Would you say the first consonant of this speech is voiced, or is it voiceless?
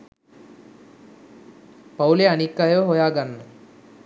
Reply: voiceless